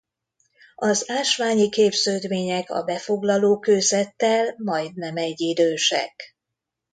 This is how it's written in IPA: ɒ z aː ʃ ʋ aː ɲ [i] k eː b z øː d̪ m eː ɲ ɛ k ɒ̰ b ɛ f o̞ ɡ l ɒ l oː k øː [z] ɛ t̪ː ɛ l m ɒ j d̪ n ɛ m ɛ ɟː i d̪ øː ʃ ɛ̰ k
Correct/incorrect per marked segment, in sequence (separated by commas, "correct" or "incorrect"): correct, correct